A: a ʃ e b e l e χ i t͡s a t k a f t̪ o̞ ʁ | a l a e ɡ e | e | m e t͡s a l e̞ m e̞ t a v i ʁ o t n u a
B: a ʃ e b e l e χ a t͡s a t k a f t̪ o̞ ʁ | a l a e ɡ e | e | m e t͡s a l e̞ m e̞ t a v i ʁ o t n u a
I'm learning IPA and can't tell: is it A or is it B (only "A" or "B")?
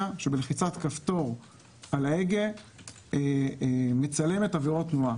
A